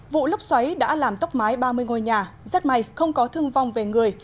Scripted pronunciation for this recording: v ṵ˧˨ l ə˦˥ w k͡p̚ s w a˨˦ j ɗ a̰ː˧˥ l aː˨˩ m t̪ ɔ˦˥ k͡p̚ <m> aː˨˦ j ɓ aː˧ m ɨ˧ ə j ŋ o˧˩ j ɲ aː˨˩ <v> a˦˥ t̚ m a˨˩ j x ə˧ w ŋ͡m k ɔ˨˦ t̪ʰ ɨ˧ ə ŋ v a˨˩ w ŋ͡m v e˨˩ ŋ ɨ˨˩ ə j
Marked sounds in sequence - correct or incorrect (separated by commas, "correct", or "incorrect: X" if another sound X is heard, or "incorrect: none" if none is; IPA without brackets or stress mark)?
correct, incorrect: z